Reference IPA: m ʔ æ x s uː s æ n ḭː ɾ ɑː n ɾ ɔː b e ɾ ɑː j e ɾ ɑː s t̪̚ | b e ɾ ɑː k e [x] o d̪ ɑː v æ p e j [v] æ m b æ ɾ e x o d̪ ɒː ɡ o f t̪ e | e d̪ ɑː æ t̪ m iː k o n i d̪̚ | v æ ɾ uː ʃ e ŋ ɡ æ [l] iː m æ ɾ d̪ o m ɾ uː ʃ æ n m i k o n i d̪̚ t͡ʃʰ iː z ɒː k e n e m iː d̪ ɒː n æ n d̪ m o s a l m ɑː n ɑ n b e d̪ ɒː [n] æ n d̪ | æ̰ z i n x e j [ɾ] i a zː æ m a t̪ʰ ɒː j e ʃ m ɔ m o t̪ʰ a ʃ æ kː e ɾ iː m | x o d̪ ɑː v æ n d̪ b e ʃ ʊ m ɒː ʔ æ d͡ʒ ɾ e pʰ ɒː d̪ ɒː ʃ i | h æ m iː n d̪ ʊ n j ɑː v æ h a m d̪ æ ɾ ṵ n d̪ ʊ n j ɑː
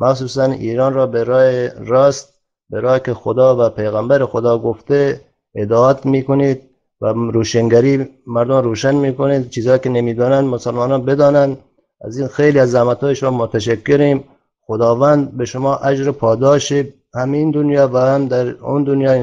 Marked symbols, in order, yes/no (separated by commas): yes, no, no, yes, no